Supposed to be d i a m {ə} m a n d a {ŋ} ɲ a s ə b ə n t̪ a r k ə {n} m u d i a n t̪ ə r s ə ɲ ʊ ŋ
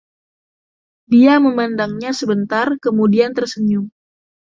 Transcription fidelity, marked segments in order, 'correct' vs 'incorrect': correct, correct, incorrect

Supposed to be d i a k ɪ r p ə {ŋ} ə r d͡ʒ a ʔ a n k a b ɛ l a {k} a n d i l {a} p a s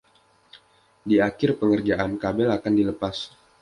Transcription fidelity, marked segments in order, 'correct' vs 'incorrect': correct, correct, incorrect

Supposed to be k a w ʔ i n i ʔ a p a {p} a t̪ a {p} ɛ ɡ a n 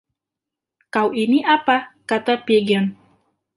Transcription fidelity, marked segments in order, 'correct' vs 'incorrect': incorrect, correct

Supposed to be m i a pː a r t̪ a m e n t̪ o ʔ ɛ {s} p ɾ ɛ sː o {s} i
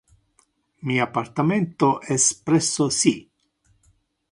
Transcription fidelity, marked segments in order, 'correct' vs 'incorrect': correct, correct

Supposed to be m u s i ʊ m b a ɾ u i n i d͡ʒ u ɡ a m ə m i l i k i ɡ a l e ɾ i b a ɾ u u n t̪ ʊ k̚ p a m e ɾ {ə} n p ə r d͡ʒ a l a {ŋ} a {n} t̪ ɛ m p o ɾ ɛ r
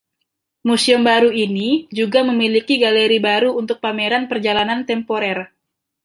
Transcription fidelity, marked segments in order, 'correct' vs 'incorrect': incorrect, incorrect, correct

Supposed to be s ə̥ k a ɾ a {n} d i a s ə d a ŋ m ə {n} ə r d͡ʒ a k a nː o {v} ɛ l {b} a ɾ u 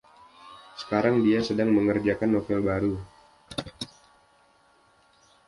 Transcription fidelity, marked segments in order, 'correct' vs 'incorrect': incorrect, incorrect, incorrect, correct

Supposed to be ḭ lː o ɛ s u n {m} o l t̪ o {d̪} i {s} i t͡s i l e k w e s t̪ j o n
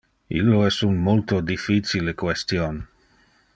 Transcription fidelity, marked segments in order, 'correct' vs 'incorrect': correct, correct, incorrect

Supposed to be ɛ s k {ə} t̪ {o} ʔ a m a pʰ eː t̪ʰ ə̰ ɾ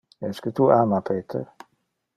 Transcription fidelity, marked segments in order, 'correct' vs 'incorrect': correct, incorrect

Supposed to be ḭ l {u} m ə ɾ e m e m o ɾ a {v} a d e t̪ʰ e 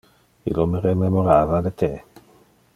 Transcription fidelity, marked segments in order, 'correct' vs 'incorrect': incorrect, correct

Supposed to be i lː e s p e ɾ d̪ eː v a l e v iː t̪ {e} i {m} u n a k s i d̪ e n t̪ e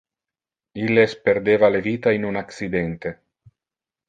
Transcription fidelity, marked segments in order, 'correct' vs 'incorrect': incorrect, incorrect

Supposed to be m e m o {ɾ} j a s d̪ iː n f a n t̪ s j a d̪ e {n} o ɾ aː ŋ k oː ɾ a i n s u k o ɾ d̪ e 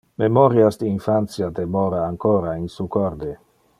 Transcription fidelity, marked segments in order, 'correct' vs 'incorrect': correct, incorrect

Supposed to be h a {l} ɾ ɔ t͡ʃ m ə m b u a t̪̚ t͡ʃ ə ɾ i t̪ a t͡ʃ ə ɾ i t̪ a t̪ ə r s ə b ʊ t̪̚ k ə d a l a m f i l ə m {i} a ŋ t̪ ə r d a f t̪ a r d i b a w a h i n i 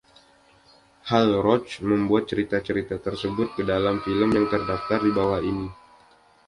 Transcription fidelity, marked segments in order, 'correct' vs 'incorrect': correct, incorrect

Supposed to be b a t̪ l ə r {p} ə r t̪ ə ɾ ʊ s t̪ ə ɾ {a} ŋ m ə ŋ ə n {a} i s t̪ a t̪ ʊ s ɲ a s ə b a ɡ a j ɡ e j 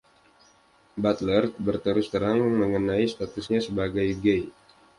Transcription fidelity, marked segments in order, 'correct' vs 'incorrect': incorrect, correct, correct

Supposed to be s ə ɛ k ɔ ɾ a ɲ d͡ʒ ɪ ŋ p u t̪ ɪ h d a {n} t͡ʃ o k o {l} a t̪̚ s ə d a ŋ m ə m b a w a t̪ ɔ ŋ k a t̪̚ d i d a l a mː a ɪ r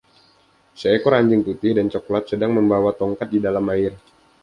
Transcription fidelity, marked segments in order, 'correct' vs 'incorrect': correct, correct

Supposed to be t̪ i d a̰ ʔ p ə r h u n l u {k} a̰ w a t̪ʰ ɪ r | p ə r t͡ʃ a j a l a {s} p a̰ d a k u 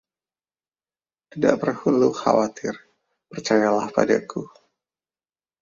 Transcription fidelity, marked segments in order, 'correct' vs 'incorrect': incorrect, incorrect

